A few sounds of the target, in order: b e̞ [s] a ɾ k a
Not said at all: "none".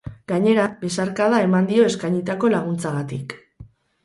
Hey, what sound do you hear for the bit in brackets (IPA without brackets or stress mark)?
s